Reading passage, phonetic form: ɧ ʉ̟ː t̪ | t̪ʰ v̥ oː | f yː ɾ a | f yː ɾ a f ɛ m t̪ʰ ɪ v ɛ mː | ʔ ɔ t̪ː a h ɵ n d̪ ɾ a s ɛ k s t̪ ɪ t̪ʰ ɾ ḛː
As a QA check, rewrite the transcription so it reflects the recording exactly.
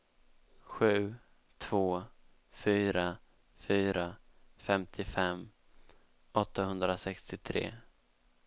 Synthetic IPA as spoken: ɧ ʉ̟ː | t̪ʰ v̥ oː | f yː ɾ a | f yː ɾ a f ɛ m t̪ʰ ɪ f ɛ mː | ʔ ɔ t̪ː a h ɵ n d̪ ɾ a s ɛ k s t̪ ɪ t̪ʰ ɾ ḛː

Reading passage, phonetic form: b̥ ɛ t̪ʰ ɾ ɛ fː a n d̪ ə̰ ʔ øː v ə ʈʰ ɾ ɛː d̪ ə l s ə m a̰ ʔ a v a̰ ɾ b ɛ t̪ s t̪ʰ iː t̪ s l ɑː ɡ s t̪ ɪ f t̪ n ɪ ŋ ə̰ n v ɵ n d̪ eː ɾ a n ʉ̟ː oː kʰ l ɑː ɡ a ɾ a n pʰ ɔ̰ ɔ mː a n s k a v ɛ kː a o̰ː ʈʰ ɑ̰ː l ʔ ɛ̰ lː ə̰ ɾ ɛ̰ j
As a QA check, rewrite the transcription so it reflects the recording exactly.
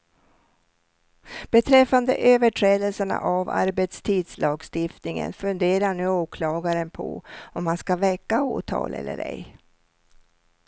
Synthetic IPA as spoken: b̥ ɛ t̪ʰ ɾ ɛ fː a n d̪ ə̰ ʔ øː v ə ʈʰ ɾ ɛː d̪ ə l s ə ɳ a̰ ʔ a v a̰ ɾ b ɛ t̪ s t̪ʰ iː d̪ s l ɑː ɡ s t̪ ɪ f t̪ n ɪ ŋ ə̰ n f ɵ n d̪ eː ɾ a ɳ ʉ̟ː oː kʰ l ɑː ɡ a ɾ ə n pʰ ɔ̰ ɔ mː a n s k a v ɛ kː a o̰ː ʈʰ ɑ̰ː l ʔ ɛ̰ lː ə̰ ɾ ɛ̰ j

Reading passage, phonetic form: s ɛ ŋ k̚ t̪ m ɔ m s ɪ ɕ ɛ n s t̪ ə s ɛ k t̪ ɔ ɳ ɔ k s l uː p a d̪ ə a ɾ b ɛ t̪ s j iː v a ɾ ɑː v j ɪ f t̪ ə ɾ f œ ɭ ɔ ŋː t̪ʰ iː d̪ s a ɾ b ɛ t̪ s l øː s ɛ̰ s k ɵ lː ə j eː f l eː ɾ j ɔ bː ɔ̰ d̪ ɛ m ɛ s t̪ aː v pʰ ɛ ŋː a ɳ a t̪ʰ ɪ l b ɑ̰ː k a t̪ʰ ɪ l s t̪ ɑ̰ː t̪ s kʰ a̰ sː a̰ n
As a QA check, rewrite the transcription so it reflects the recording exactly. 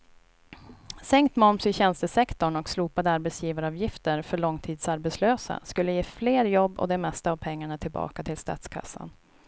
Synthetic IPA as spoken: s ɛ ŋ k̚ t̪ m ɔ m s ɪ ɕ ɛ n s t̪ ə s ɛ k t̪ ɔ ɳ ɔ k s l uː p a d̪ ə a ɾ b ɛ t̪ s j iː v a ɾ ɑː v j ɪ f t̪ ə ɾ f œ ɭ ɔ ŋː t̪ʰ iː d̪ s a ɾ b ɛ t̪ s l øː s a̰ s k ɵ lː ə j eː f l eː ɾ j ɔ bː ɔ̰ d̪ ɛ m ɛ s t̪ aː v pʰ ɛ ŋː a ɳ a t̪ʰ ɪ l b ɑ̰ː k a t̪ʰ ɪ l s t̪ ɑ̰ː t̪ s kʰ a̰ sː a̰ n

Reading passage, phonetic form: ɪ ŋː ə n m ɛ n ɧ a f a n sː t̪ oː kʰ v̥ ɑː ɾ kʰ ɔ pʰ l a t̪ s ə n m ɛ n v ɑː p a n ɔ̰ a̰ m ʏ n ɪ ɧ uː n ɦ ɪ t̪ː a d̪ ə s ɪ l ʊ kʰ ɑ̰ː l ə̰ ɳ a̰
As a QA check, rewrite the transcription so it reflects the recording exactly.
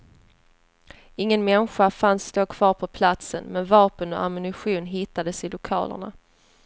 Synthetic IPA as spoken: ɪ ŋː ə n m ɛ n ɧ a f a n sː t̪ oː kʰ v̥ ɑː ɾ pʰ ɔ pʰ l a t̪ s ə n m ɛ n v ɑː p ə n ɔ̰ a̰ m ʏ n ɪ ɧ uː n ɦ ɪ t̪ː a d̪ ə s ɪ l ʊ kʰ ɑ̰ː l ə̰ ɳ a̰

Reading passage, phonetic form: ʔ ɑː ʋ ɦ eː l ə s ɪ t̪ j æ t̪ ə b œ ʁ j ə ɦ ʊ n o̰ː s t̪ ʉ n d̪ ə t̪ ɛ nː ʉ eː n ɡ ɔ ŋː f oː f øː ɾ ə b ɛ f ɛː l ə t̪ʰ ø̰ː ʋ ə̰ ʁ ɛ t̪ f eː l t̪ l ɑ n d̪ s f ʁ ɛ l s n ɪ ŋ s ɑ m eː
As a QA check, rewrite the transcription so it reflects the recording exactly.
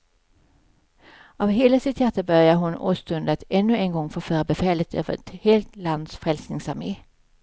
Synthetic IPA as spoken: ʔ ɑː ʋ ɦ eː l ə s ɪ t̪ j æ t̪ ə b œ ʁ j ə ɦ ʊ n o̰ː s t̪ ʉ n d̪ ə t̪ ɛ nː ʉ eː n ɡ ɔ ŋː f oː f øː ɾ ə b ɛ f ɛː l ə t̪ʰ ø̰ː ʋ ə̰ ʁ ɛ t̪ h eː l t̪ l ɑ n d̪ s f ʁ ɛ l s n ɪ ŋ s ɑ m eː

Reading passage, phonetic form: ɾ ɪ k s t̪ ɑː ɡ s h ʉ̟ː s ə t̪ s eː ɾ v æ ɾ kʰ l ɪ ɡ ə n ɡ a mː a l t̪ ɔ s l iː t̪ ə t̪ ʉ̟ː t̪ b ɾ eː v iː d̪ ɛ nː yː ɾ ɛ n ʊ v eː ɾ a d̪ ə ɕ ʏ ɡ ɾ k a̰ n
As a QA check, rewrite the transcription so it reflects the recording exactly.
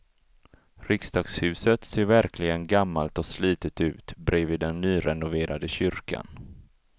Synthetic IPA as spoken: ɾ ɪ k s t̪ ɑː ɡ s h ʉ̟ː s ə t̪ s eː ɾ v æ ɾ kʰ l ɪ ɡ ə n ɡ a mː a l t̪ ɔ s l iː t̪ ə t̪ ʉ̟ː t̪ b ɾ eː v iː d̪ ɛ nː yː ɾ ɛ n ʊ v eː ɾ a d̪ ə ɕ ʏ ɾ k a̰ n

